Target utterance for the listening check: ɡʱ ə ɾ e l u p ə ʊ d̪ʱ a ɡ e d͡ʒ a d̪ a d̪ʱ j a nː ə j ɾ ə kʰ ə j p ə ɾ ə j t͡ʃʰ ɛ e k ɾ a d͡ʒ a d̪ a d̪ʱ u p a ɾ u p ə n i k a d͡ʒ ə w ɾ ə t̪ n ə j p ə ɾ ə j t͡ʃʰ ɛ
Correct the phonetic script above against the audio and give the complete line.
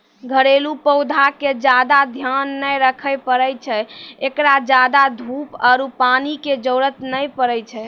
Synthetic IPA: ɡʱ ə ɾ e l u p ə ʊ d̪ʱ a k e d͡ʒ a d̪ a d̪ʱ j a nː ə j ɾ ə kʰ ə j p ə ɾ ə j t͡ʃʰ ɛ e k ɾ a d͡ʒ a d̪ a d̪ʱ u p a ɾ u p a n i k e d͡ʒ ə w ɾ ə t̪ n ə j p ə ɾ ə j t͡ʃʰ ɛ